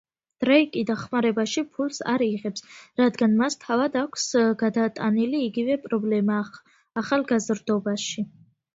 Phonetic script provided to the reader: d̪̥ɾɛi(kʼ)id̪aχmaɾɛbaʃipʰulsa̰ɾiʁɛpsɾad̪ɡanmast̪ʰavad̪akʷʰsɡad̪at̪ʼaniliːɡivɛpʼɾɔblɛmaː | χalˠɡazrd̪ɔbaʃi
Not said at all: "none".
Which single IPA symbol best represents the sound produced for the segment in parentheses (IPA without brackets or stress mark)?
kʼ